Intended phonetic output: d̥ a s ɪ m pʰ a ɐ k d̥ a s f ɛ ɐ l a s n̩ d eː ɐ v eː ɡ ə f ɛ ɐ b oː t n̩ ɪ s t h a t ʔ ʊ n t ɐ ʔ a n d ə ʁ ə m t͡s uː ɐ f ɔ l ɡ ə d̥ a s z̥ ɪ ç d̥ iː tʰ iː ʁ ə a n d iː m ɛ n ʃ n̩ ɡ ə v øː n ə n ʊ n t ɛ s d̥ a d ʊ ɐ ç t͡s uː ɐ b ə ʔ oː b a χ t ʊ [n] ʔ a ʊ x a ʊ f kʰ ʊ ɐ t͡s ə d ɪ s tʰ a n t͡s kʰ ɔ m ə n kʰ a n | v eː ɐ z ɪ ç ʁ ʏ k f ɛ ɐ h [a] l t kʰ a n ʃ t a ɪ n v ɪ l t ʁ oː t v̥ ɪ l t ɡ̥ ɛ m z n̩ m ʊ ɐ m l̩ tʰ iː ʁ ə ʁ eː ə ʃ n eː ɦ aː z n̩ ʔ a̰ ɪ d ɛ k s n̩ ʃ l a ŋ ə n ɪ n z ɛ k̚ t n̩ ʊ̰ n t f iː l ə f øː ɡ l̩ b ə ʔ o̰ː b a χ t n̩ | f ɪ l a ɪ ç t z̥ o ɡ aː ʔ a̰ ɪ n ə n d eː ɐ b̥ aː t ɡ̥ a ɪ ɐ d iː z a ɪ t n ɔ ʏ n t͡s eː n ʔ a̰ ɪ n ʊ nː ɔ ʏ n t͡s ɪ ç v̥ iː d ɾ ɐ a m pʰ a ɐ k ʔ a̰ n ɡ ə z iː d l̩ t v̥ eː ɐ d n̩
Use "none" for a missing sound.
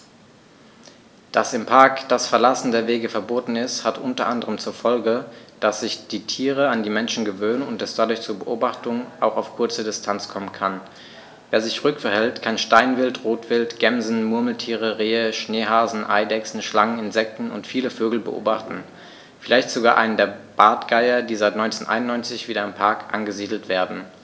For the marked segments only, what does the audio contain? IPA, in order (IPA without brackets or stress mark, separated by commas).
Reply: ŋ, ɛ